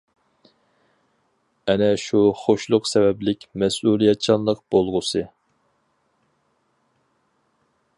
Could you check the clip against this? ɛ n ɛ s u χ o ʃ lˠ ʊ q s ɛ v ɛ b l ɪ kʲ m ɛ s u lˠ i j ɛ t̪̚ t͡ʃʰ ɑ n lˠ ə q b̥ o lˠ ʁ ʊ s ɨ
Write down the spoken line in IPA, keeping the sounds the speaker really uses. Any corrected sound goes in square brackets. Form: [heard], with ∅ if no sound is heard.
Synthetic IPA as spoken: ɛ n ɛ [ʃ] u χ o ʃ lˠ ʊ q s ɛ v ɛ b l ɪ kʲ m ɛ s u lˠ i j ɛ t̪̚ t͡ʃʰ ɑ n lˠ ə q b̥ o lˠ ʁ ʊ s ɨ